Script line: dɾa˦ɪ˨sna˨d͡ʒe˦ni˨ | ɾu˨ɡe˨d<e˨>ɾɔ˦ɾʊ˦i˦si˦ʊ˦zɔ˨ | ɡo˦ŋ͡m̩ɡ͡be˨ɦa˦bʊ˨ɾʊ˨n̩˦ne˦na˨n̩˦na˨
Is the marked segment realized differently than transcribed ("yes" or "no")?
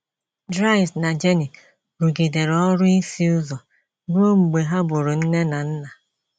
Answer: no